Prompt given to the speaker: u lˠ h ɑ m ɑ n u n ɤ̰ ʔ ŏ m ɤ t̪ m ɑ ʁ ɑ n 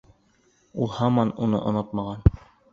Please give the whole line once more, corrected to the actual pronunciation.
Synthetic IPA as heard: u lˠ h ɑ m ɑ n u n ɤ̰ ʔ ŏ n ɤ t̪ m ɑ ʁ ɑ n